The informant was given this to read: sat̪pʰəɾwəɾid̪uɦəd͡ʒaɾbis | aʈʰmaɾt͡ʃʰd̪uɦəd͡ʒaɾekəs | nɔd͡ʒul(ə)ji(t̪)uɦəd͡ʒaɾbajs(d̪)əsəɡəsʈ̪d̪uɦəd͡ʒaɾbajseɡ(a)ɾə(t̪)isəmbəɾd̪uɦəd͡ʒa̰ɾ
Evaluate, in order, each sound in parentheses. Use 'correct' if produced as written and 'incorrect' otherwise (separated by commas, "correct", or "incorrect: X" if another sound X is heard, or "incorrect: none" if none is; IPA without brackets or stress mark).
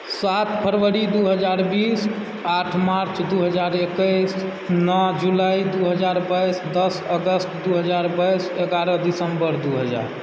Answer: incorrect: a, incorrect: d̪, correct, correct, incorrect: d̪